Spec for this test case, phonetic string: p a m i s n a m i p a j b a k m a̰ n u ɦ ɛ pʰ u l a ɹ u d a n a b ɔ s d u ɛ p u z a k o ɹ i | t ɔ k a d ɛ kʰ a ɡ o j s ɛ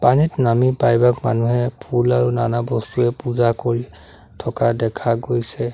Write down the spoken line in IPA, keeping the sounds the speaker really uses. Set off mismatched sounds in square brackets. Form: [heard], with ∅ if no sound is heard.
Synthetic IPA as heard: p a [n] i [t] n a m i p a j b a k m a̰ n u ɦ ɛ pʰ u l a ɹ u [n] a n a b ɔ s [t] u ɛ p u z a k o ɹ i | [tʰ] ɔ k a d ɛ kʰ a ɡ o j s ɛ